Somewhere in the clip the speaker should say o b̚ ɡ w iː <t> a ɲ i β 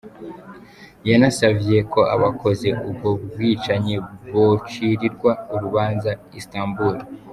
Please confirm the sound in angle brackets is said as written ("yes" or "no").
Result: no